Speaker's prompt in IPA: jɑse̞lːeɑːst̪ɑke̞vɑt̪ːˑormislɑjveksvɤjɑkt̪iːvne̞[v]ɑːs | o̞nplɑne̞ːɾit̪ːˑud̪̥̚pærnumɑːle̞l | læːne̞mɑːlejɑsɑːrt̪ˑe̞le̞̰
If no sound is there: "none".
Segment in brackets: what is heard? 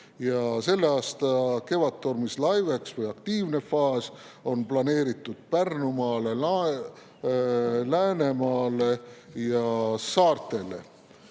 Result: f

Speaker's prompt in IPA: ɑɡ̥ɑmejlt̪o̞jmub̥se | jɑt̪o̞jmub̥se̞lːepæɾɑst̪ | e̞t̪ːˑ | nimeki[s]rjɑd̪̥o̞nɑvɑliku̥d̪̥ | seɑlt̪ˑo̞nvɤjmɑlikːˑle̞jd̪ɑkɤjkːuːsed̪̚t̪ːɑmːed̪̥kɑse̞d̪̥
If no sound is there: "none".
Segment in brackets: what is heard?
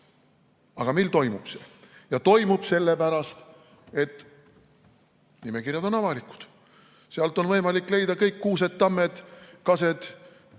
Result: none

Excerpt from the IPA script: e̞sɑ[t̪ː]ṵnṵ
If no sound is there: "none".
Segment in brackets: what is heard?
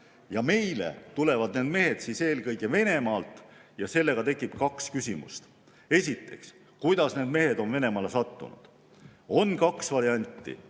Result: t̪ː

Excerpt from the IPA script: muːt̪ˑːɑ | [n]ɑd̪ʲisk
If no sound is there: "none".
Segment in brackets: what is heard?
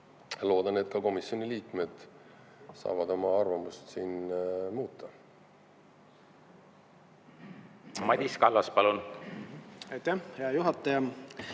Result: m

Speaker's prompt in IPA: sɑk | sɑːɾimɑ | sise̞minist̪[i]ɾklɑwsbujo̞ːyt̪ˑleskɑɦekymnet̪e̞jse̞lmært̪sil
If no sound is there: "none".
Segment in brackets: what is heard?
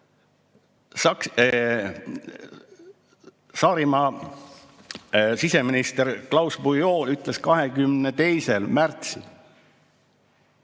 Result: e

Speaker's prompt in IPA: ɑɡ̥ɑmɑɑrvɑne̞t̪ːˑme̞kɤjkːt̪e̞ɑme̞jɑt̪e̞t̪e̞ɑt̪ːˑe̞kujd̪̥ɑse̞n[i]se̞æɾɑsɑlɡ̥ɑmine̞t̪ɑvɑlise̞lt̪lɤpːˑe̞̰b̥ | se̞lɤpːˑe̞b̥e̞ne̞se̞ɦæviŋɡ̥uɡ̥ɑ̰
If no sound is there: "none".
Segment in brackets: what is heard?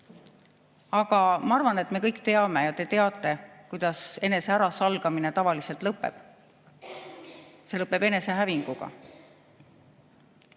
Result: e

